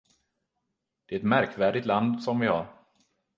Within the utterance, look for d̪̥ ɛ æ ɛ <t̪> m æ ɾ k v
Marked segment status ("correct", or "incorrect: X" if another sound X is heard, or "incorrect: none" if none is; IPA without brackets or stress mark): correct